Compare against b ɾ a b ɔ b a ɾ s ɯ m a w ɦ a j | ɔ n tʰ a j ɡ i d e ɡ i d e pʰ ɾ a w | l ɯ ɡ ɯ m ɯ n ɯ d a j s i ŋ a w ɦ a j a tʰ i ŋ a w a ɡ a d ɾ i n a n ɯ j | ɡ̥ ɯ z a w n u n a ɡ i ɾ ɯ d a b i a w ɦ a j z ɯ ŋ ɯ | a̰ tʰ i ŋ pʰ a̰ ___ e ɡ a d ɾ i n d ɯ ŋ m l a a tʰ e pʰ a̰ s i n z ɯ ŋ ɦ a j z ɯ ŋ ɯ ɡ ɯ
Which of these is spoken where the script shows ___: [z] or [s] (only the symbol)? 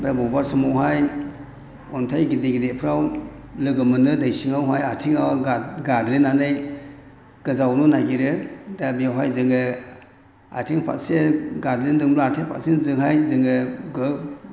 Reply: s